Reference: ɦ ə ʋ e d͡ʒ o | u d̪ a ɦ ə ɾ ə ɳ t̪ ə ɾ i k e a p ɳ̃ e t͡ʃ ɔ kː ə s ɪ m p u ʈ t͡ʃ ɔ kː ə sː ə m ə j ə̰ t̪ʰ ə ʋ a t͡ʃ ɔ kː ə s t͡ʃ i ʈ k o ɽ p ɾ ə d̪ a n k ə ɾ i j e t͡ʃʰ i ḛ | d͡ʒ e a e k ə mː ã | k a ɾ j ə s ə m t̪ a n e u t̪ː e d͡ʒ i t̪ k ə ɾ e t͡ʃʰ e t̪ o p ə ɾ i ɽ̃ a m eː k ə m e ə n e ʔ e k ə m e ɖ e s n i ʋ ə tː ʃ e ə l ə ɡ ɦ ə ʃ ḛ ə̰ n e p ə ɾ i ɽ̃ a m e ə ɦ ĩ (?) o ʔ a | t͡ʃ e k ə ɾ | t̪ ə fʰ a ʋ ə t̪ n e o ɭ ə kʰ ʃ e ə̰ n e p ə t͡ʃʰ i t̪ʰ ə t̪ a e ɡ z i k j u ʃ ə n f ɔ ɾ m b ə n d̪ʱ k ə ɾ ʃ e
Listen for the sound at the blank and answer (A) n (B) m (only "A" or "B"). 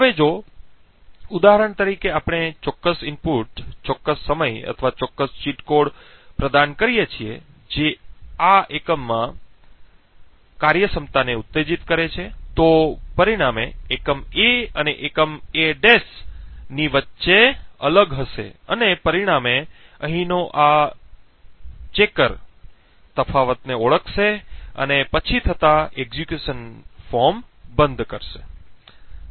A